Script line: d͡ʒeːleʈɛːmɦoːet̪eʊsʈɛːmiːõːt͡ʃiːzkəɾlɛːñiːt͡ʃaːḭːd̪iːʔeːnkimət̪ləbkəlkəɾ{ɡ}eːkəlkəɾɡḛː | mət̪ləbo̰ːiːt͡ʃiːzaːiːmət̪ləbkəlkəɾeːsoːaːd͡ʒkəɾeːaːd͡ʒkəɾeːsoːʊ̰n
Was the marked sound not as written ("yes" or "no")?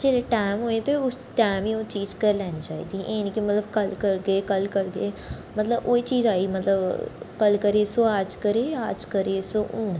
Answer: no